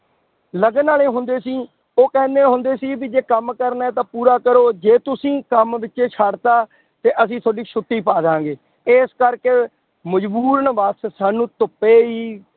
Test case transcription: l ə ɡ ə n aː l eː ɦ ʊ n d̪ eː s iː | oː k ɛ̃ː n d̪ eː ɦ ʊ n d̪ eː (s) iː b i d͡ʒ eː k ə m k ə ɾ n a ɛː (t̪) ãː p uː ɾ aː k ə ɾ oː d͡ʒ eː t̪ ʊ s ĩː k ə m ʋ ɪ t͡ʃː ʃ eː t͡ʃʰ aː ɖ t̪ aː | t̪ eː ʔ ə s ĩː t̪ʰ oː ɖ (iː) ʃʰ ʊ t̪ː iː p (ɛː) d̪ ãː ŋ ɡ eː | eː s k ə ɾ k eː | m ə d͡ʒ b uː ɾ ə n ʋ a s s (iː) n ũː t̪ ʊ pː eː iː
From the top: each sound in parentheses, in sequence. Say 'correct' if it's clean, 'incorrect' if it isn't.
correct, correct, correct, incorrect, incorrect

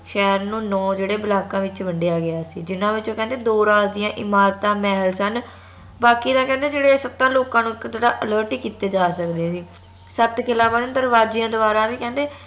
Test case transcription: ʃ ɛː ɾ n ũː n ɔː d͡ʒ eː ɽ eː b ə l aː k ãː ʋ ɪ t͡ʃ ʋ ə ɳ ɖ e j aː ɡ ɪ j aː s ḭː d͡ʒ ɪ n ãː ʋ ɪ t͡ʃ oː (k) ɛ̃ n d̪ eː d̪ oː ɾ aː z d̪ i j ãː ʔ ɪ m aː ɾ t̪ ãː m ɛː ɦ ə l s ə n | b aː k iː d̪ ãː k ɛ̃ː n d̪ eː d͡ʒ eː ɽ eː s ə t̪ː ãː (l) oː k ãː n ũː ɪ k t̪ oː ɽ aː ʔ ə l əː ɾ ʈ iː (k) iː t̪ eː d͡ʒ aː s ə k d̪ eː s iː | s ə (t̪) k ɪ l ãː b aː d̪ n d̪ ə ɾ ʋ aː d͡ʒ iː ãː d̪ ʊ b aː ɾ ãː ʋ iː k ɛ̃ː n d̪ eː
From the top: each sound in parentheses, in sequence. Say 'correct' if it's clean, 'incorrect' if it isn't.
correct, correct, correct, correct

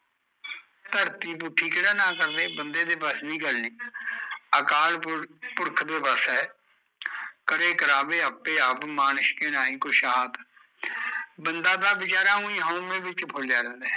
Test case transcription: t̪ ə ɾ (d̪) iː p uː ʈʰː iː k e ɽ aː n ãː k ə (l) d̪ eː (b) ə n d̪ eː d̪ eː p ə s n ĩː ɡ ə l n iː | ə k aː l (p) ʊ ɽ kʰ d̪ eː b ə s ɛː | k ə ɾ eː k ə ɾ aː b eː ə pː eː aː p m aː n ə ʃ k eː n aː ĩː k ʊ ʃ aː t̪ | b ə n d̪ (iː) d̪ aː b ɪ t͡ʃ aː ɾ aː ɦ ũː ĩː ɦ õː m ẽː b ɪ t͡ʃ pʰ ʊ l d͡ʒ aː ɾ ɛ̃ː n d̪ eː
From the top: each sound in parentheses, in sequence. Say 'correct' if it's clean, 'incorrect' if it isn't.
incorrect, incorrect, correct, correct, incorrect

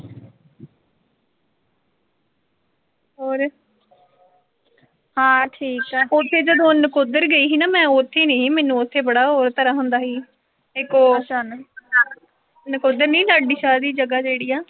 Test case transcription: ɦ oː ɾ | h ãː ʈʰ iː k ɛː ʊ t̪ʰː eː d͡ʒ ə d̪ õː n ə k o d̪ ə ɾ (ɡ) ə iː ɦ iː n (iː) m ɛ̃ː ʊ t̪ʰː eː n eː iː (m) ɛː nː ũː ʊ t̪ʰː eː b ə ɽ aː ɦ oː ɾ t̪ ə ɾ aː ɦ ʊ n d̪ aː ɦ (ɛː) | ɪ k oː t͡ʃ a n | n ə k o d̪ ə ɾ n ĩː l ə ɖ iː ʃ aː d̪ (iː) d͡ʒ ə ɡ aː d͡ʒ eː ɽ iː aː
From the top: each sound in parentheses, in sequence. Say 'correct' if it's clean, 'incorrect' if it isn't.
correct, incorrect, correct, incorrect, correct

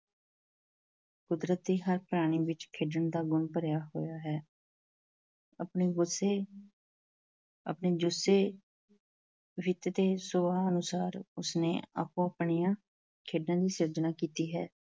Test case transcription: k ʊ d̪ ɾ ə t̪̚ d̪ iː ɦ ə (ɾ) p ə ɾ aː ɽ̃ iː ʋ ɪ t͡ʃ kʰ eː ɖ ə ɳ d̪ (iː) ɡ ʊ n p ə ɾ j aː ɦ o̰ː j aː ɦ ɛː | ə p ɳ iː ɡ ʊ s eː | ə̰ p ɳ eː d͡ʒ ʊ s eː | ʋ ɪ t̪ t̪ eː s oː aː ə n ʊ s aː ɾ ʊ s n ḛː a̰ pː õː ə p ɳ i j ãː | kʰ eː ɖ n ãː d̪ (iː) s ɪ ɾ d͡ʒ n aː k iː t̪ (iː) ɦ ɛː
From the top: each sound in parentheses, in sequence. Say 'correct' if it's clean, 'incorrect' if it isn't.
correct, incorrect, correct, correct

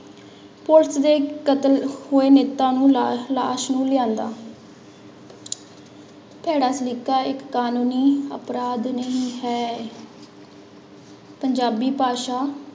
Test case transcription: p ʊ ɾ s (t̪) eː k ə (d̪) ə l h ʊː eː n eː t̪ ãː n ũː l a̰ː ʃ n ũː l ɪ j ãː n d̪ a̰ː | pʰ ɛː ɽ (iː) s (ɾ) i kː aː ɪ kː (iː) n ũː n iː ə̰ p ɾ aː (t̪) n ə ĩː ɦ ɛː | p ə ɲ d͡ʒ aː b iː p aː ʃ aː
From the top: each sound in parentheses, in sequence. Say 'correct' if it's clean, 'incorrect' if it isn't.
incorrect, incorrect, incorrect, incorrect, incorrect, incorrect

